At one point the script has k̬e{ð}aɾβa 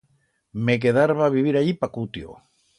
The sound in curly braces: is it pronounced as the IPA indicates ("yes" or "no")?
yes